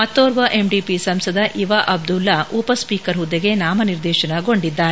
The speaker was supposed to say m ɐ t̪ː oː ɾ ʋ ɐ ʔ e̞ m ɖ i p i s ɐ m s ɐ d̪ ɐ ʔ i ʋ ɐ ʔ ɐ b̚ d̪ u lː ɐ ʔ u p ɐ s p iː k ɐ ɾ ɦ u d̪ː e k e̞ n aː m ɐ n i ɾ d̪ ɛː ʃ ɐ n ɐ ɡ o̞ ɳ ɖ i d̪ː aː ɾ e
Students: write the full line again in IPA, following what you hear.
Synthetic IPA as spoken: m ɐ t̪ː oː ɾ ʋ ɐ ʔ e̞ m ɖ i p i s ɐ m s ɐ d̪ ɐ ʔ i ʋ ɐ ʔ ɐ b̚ d̪ u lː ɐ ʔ u p ɐ s p iː k ɐ ɾ ɦ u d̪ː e ɡ e̞ n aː m ɐ n i ɾ d̪ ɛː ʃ ɐ n ɐ ɡ o̞ ɳ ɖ i d̪ː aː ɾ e